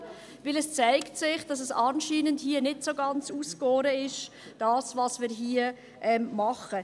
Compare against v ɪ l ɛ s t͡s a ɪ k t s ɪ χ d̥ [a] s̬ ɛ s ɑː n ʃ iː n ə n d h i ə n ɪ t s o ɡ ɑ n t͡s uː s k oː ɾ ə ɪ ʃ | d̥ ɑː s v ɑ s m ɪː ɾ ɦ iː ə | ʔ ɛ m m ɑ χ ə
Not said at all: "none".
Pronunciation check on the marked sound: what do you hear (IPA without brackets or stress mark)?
ɑ